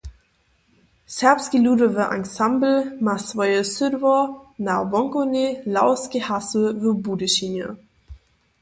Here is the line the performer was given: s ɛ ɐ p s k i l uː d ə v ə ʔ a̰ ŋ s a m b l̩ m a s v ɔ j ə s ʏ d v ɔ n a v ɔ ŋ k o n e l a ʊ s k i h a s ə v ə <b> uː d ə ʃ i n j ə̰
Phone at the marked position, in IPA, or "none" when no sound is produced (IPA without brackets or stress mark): b